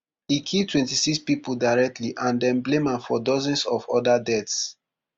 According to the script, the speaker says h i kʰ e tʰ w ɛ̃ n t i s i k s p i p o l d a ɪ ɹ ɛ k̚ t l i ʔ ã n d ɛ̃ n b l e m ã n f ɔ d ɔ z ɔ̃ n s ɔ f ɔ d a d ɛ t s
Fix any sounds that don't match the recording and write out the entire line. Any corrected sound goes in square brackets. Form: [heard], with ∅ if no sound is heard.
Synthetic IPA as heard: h i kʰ [i] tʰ w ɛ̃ n t i s i k s p i p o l d a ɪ ɹ ɛ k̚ t l i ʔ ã n d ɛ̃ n b l e m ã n f ɔ d ɔ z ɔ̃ n s ɔ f ɔ d a d ɛ t s